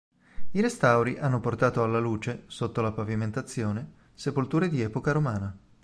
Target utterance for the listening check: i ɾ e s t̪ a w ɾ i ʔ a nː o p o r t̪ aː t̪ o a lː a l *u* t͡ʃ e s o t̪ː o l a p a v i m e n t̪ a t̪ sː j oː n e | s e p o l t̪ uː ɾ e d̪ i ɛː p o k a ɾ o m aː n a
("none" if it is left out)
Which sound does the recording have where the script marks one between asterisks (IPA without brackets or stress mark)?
uː